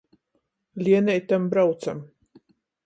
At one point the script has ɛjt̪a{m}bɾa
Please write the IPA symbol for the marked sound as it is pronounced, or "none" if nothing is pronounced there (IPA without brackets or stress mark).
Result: m